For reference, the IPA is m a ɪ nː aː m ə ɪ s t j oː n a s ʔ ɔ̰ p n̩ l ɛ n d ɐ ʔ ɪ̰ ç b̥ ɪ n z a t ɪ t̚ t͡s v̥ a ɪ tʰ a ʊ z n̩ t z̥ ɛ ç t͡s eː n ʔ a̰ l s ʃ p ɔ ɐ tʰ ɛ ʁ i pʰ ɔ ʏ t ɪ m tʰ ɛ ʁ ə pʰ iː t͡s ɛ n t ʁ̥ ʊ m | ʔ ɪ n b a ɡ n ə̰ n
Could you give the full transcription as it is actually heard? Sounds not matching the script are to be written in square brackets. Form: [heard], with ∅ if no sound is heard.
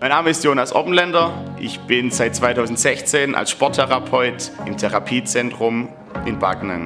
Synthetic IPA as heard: m a ɪ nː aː m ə ɪ s t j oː n a s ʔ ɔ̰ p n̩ l ɛ n d ɐ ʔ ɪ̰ ç b̥ ɪ n z a [∅] ɪ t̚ t͡s v̥ a ɪ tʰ a ʊ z n̩ t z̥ ɛ ç t͡s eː n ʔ a̰ l s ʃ p ɔ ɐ tʰ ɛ ʁ [a] pʰ ɔ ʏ t ɪ m tʰ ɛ ʁ [a] pʰ iː t͡s ɛ n t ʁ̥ ʊ m | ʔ ɪ n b a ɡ n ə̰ n